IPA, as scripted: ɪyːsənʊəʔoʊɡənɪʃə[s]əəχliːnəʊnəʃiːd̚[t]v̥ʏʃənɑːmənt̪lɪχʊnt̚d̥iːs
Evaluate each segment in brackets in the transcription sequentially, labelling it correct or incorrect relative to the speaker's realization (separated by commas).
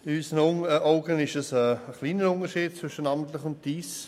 correct, incorrect